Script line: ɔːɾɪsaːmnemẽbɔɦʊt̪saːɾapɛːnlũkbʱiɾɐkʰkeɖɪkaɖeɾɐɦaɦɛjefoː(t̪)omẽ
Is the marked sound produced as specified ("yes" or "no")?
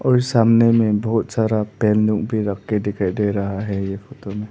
yes